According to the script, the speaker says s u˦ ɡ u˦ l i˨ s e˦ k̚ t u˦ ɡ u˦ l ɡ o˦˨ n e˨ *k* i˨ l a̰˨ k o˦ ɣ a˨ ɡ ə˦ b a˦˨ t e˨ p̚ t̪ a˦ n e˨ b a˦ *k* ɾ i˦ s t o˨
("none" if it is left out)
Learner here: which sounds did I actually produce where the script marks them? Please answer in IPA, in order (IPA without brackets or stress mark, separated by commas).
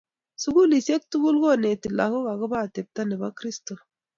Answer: t, k